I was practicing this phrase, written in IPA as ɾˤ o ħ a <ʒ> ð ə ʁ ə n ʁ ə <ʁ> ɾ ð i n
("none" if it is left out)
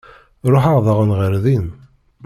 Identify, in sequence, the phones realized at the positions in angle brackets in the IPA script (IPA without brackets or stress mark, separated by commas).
ʁ, none